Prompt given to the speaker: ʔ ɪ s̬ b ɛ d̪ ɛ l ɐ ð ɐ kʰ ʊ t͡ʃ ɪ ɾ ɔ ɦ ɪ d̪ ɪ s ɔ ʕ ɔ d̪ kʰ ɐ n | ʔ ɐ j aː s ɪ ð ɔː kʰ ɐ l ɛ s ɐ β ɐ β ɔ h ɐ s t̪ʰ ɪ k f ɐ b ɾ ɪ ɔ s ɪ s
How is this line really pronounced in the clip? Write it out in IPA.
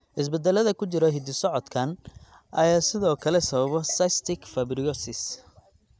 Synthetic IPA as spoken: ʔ ɪ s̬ b ɛ d̪ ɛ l ɐ ð ɐ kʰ ʊ t͡ʃ ɪ ɾ ɔ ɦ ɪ d̪ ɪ s ɔ ʕ ɔ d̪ kʰ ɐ n | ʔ ɐ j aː s ɪ ð ɔː kʰ ɐ l ɛ s ɐ β ɐ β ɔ s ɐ s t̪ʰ ɪ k f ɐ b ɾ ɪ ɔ s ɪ s